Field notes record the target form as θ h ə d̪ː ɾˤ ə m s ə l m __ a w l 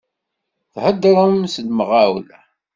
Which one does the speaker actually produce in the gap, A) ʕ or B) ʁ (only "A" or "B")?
B